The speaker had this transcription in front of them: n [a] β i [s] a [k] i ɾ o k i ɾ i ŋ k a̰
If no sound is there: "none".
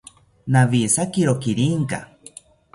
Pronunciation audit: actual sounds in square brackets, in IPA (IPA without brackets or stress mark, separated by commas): a, s, k